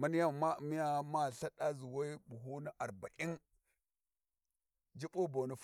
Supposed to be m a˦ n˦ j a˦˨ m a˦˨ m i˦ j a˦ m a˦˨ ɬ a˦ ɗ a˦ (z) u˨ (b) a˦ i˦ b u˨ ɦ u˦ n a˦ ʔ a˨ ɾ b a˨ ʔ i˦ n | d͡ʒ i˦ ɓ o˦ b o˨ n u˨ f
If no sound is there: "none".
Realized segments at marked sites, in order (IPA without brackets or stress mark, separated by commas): z, w